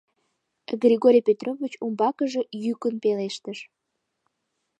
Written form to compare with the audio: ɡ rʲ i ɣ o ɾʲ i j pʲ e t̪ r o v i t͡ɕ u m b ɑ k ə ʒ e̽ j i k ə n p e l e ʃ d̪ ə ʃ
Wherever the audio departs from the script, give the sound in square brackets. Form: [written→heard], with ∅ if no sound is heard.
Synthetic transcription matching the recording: ɡ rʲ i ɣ o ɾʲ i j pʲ e t̪ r o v i t͡ɕ u m b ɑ k ə ʒ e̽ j [i→y] k ə n p e l e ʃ [d̪→t̪] ə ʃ